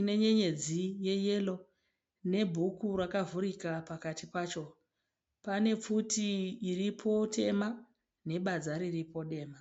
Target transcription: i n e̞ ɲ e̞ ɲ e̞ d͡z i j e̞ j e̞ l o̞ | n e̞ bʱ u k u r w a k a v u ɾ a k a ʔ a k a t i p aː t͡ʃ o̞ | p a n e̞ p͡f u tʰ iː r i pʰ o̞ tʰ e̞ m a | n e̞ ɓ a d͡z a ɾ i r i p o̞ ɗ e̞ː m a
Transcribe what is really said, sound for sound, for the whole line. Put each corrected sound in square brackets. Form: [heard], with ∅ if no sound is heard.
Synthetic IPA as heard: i n e̞ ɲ e̞ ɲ e̞ d͡z i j e̞ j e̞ l o̞ | n e̞ bʱ u k u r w a k a v u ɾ [i] k a [p] a k a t i p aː t͡ʃ o̞ | p a n e̞ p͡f u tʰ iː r i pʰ o̞ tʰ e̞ m a | n e̞ ɓ a d͡z a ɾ i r i p o̞ ɗ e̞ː m a